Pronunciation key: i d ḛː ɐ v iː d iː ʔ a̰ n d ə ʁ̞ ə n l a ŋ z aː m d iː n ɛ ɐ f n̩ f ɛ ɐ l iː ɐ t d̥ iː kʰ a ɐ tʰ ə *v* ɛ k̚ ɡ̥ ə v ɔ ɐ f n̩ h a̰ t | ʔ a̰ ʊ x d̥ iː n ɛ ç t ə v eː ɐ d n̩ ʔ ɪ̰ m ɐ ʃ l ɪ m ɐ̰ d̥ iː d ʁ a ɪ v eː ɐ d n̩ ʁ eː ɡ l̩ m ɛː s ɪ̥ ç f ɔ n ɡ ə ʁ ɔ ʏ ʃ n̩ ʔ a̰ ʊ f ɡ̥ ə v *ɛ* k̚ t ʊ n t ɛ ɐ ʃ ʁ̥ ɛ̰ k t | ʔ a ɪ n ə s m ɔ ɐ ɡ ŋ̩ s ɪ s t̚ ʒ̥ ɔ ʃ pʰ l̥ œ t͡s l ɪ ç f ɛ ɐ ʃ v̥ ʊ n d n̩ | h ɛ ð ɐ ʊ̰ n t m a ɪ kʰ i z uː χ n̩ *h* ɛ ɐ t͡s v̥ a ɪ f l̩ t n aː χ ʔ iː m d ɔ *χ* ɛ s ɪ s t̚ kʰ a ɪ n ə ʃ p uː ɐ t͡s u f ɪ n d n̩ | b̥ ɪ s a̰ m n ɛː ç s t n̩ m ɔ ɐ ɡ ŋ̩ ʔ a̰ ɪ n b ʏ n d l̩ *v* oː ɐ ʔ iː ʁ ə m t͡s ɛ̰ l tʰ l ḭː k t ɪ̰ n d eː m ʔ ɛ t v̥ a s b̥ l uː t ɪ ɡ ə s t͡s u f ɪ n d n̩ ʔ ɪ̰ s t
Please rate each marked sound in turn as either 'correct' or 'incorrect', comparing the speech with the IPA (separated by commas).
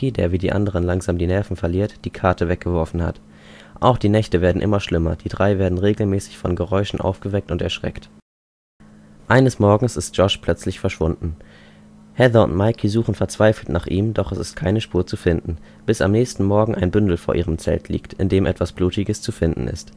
correct, correct, incorrect, correct, incorrect